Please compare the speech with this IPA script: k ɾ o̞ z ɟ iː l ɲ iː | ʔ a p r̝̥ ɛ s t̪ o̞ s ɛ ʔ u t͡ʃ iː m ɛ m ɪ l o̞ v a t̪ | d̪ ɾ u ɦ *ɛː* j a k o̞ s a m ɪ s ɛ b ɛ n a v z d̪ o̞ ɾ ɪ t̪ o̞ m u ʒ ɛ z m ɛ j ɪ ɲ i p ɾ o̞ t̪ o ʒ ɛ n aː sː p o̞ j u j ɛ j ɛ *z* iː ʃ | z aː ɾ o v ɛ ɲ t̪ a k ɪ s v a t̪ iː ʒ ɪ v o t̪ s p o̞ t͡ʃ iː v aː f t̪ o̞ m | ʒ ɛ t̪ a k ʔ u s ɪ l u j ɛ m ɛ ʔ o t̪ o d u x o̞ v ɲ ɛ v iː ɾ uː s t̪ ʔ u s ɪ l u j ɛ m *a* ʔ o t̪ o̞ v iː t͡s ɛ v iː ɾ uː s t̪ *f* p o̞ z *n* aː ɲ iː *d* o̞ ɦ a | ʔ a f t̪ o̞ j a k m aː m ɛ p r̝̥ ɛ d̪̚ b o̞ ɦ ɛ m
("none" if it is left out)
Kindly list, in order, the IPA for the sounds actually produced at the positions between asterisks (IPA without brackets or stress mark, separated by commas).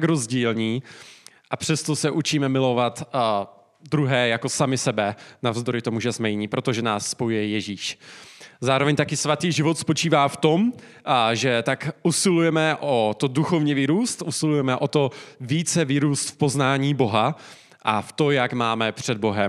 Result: ɛː, ʒ, ɛ, f, n, b